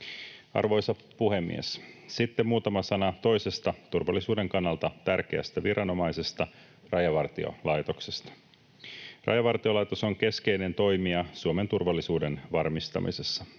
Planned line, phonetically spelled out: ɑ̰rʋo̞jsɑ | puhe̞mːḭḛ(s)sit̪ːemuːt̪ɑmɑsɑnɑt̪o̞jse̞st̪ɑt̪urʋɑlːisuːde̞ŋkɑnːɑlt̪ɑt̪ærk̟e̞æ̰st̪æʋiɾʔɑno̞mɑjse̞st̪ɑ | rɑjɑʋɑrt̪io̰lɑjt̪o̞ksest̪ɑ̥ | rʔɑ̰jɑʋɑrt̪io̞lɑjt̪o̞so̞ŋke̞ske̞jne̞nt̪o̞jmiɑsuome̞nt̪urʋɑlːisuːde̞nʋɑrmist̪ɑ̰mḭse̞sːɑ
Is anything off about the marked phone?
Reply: no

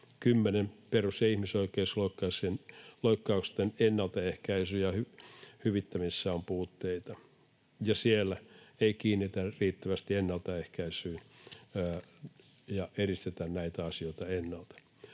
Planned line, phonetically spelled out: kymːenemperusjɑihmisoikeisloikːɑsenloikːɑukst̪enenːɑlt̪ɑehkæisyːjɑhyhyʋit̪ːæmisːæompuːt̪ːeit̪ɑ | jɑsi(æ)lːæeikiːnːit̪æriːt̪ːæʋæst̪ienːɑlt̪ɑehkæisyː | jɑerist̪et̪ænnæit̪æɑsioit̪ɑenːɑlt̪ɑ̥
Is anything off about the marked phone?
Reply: yes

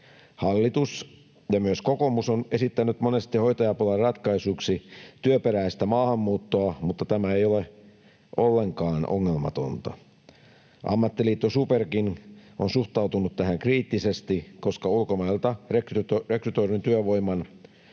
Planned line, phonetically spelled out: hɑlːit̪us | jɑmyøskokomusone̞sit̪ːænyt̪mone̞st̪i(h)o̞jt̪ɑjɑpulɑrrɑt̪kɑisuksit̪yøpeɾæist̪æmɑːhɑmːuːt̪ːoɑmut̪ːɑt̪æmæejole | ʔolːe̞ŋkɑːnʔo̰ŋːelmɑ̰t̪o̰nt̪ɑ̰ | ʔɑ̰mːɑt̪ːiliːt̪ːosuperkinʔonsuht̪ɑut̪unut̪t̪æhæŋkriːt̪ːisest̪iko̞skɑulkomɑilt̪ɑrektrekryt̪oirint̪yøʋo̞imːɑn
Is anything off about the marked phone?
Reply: no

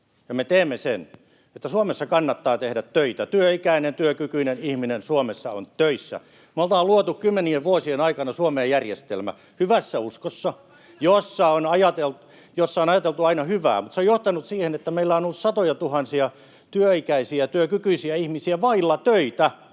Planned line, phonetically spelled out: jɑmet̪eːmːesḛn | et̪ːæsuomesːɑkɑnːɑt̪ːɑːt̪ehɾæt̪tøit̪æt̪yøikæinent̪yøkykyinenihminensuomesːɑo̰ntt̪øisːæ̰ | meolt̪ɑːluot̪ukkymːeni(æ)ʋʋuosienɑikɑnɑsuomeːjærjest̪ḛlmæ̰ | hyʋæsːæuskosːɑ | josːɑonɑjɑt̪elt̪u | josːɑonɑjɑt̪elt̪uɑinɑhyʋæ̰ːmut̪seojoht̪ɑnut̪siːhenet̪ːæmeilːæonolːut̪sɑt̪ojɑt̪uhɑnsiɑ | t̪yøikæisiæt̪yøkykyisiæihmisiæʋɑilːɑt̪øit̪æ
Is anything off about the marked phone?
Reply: yes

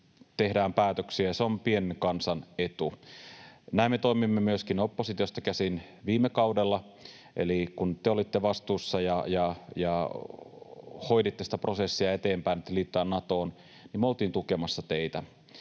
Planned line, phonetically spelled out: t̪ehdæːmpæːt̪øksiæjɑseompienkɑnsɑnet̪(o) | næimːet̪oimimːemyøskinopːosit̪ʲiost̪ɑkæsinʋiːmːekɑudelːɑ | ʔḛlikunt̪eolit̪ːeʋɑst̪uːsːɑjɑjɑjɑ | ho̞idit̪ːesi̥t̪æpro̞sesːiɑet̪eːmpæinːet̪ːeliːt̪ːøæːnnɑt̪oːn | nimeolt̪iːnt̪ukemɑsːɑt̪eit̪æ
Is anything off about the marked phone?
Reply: yes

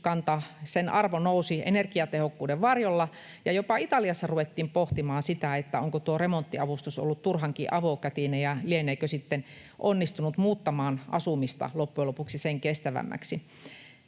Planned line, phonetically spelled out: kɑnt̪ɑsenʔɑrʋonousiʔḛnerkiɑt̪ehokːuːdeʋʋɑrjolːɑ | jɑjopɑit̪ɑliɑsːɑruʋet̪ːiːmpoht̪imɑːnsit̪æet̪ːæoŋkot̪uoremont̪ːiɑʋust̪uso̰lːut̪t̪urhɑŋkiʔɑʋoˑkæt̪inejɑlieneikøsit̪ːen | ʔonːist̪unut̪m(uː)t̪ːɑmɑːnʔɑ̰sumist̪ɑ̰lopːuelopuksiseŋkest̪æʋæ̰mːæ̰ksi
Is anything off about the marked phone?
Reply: no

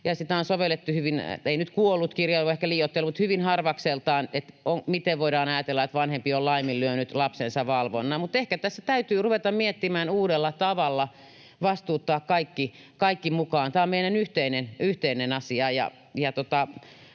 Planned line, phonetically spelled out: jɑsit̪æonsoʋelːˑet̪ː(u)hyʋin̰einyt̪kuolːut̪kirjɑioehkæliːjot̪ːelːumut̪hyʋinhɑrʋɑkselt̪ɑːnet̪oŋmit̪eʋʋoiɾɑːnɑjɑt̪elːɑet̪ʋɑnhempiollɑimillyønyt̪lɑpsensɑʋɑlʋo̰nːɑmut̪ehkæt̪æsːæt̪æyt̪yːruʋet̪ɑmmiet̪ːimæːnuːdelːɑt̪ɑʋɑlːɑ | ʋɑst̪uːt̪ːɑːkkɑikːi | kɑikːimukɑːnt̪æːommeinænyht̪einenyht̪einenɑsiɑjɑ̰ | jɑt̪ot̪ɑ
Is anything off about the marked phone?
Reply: no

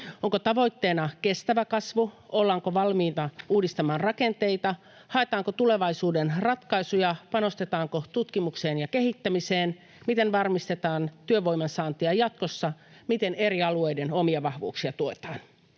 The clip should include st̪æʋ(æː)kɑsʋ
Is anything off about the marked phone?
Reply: yes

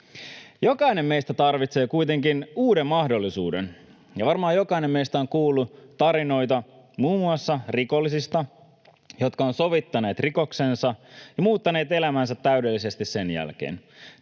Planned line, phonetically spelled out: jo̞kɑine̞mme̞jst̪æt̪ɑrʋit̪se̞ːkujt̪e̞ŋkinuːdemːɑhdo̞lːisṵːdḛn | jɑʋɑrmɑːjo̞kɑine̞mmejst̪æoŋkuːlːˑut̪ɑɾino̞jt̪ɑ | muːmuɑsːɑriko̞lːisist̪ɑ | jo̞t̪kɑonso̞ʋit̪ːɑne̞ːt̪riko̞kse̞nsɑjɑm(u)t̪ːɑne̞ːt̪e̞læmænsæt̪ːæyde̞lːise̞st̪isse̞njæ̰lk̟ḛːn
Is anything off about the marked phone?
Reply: yes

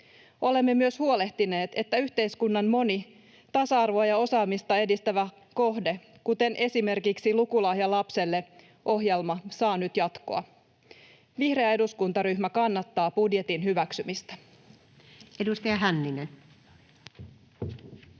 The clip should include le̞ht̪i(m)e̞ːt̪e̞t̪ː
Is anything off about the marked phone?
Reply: yes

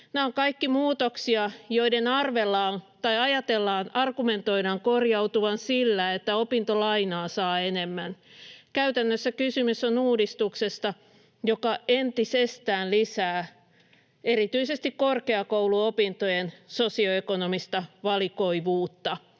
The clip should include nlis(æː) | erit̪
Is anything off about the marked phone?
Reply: no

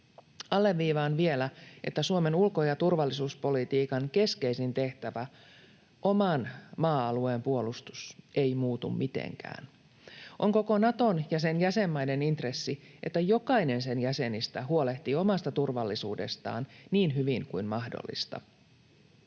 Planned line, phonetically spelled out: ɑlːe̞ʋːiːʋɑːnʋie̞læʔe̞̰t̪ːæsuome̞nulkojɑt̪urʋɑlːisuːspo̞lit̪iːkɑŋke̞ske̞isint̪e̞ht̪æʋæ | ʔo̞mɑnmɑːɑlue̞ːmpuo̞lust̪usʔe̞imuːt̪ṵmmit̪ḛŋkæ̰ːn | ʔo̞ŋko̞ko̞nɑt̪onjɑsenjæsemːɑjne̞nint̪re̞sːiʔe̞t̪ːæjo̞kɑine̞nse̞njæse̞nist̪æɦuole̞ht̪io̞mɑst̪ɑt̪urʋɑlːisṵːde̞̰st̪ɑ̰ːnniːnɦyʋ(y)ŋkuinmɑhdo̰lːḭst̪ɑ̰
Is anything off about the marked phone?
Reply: yes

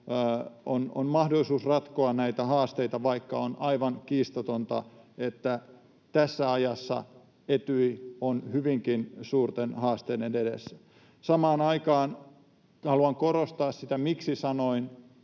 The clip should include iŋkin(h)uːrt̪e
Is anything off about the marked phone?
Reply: yes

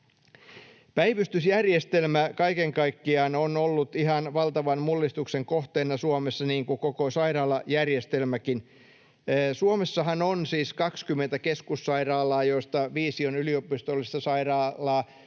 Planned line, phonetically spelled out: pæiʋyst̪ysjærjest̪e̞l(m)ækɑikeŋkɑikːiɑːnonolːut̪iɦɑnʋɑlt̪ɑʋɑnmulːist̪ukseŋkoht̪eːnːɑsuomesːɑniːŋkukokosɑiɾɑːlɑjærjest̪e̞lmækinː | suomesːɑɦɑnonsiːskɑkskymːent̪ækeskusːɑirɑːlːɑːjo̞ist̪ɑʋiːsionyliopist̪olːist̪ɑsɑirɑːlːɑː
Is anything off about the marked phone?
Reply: no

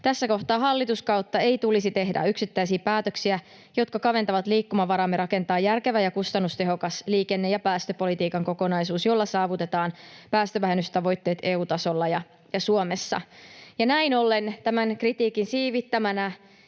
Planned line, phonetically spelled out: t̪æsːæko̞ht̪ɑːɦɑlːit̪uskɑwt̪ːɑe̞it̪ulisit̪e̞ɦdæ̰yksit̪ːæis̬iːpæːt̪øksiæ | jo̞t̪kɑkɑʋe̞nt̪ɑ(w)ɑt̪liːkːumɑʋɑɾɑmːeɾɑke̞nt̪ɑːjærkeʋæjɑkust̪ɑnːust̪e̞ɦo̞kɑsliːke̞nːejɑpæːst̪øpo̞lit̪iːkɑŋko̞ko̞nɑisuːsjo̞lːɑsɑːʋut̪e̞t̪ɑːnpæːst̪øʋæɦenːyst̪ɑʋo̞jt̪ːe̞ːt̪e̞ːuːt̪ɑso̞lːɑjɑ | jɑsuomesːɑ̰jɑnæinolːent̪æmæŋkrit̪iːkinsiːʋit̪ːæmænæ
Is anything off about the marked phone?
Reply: yes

